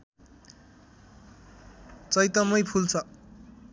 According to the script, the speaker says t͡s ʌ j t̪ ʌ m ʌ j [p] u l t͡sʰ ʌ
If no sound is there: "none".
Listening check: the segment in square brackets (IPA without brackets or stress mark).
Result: pʰ